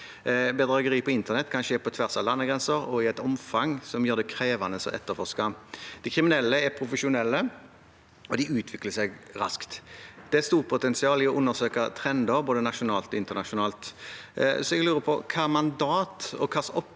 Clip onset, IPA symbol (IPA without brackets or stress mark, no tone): b